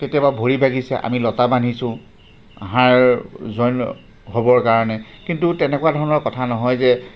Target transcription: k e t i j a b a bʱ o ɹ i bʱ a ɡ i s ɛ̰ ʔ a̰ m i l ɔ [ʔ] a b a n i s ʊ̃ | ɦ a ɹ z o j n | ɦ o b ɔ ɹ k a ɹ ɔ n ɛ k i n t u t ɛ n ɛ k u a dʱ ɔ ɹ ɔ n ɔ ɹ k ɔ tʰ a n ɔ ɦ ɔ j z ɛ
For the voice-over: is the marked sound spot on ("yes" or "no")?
no